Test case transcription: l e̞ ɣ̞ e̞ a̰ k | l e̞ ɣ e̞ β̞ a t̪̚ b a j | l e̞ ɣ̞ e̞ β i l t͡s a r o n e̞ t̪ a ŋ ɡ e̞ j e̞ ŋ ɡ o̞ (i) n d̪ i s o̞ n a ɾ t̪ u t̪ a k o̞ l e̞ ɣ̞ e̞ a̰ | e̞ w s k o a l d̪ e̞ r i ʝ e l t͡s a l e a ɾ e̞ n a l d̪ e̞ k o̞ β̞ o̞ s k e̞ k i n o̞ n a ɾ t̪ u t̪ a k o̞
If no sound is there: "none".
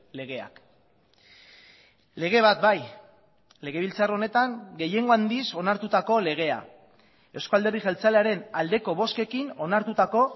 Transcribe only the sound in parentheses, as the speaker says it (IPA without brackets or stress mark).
a